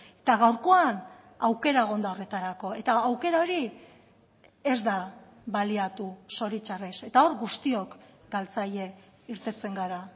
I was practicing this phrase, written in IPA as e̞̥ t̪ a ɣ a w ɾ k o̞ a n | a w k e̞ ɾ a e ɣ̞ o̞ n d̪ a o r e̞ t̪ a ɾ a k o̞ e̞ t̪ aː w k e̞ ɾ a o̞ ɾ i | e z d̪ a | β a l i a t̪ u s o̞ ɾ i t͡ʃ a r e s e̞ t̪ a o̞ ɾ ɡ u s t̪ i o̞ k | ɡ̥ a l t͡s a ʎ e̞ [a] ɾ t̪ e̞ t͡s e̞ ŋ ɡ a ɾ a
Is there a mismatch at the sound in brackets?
yes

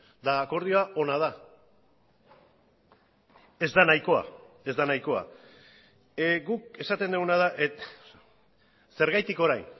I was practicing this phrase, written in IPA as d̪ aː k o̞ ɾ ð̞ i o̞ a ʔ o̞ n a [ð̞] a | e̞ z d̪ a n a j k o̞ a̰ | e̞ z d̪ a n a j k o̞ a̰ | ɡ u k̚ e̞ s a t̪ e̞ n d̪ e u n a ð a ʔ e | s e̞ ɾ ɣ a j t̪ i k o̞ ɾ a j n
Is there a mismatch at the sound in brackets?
no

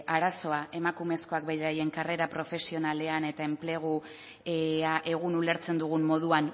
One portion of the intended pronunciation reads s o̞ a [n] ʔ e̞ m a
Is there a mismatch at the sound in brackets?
yes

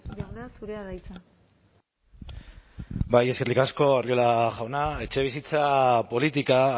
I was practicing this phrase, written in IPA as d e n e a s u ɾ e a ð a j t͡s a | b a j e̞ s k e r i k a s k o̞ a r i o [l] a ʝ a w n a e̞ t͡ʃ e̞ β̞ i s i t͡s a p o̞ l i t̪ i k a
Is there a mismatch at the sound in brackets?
no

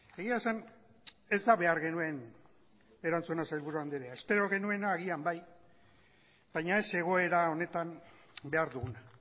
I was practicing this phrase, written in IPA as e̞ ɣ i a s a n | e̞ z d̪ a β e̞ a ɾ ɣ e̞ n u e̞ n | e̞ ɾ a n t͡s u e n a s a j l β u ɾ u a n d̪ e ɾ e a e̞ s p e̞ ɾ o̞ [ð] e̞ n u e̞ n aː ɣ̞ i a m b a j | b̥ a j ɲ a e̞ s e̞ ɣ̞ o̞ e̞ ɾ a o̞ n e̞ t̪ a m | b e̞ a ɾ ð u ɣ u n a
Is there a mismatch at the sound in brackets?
yes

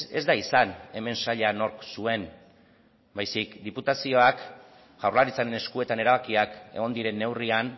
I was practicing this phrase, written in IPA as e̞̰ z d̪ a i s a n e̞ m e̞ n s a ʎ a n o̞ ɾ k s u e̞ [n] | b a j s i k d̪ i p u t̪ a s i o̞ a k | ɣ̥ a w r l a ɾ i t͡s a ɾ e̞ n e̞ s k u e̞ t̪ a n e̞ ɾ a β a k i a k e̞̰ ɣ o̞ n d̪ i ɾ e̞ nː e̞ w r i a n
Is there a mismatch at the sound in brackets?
no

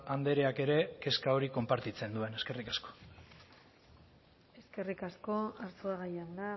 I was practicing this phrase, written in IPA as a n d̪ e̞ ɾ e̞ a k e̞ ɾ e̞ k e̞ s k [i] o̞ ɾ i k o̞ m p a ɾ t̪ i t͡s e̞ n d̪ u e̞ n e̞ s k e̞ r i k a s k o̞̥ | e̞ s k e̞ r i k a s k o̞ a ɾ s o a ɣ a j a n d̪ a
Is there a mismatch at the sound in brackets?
yes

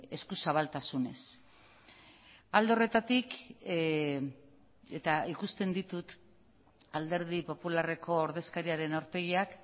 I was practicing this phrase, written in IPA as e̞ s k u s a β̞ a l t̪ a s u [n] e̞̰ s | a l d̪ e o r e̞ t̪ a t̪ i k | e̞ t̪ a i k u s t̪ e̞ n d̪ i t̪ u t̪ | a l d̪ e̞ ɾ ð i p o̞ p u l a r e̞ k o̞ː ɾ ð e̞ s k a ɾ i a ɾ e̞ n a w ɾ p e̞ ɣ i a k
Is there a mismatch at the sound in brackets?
no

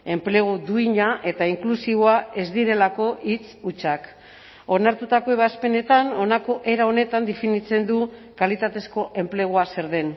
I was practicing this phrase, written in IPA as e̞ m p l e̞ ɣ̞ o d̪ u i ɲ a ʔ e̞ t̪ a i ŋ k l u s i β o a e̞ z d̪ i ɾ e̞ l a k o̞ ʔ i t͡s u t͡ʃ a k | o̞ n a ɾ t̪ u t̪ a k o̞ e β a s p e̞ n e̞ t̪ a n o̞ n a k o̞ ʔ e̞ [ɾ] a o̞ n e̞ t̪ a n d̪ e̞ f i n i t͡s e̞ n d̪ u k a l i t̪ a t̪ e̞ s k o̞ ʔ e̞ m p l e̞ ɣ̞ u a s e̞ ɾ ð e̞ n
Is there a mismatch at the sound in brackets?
no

